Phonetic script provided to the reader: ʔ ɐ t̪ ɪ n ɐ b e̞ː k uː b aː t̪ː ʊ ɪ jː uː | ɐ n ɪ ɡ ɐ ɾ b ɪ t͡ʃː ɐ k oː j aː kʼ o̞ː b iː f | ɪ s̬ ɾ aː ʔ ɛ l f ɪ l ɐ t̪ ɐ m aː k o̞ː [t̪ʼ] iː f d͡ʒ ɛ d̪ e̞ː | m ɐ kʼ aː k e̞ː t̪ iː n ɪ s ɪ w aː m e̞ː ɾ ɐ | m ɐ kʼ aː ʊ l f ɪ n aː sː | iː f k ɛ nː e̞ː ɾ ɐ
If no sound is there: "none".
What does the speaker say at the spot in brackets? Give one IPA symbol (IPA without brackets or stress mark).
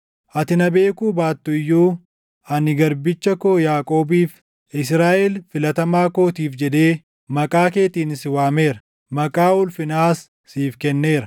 t̪